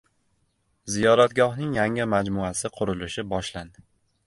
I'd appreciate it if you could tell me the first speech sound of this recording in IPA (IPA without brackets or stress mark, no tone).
z